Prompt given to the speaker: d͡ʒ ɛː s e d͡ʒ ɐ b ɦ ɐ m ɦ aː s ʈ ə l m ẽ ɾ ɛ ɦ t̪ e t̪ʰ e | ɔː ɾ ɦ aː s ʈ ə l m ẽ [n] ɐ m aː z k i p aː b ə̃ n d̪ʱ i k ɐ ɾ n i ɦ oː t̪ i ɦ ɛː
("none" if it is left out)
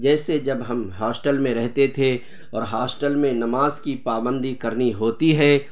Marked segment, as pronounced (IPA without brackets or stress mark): n